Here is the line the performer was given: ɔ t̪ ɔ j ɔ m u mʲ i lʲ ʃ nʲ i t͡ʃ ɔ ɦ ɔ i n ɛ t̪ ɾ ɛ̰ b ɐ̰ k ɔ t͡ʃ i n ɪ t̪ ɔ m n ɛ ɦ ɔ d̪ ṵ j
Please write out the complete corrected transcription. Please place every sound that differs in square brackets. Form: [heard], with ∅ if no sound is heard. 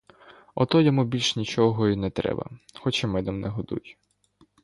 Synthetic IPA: ɔ t̪ ɔ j ɔ m u [bʲ] i lʲ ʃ nʲ i t͡ʃ ɔ ɦ ɔ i n ɛ t̪ ɾ ɛ̰ b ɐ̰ [x] ɔ t͡ʃ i [m] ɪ [d̪] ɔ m n ɛ ɦ ɔ d̪ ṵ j